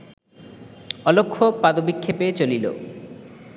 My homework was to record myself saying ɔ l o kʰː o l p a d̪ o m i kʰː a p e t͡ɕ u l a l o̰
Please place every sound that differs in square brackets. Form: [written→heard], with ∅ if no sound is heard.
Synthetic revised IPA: ɔ l o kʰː o [l→∅] p a d̪ o [m→b] i kʰː [a→e] p e t͡ɕ [u→o] l [a→i] l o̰